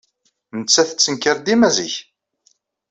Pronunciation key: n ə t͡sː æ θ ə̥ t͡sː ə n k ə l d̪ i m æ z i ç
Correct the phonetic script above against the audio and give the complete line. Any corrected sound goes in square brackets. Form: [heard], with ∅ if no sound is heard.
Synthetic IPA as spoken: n ə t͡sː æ θ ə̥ t͡sː ə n k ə [ɾ] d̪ i m æ z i ç